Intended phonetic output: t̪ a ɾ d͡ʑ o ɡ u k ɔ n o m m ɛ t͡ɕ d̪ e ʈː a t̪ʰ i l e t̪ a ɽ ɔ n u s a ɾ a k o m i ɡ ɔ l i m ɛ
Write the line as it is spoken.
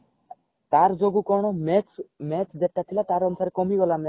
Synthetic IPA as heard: t̪ a ɾ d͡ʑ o ɡ u k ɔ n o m m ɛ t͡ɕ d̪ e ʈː a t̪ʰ i l a t̪ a ɾ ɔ n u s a ɾ e k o m i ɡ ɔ l a m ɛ

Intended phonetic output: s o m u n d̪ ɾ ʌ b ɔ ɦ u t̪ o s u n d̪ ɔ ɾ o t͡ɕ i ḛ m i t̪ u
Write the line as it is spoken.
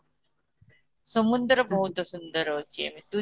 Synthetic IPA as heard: s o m u n d̪ ɾ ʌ b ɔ ɦ u t̪ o s u n d̪ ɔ ɾ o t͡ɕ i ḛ m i t̪ u

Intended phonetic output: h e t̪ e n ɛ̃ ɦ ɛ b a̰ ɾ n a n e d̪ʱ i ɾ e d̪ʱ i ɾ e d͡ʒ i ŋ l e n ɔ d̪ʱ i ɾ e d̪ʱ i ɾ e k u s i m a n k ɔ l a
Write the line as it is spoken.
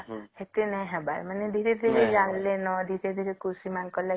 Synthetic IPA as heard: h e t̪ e n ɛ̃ ɦ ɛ b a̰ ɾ m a n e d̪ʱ i ɾ e d̪ʱ i ɾ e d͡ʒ a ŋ l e n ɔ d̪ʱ i ɾ e d̪ʱ i ɾ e k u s i m a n k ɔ l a

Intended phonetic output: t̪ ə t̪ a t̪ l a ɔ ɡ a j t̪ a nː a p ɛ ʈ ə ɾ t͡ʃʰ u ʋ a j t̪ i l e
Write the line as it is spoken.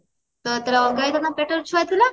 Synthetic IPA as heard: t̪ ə t̪ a l a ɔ ɡ a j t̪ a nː a p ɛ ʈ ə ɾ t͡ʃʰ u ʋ a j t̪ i l a

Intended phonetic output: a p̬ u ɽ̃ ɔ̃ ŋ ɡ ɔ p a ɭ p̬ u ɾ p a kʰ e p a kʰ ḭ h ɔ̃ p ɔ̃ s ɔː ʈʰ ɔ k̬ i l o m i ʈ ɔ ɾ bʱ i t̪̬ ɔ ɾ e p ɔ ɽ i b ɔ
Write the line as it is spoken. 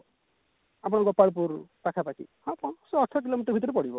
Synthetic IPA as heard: a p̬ ɔ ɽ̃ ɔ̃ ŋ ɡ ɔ p a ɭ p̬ u ɾ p a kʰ a p a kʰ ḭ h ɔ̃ p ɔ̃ s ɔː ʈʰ ɔ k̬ i l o m i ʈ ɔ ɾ bʱ i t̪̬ ɔ ɾ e p ɔ ɽ i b ɔ

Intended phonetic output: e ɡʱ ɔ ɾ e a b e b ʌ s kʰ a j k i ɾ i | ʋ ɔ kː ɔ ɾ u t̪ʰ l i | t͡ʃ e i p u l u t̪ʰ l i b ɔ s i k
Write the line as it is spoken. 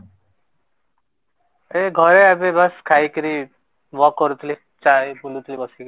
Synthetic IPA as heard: e ɡʱ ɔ ɾ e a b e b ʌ s kʰ a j k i ɾ i | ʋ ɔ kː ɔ ɾ u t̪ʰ l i | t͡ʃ a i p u l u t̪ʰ l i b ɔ s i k

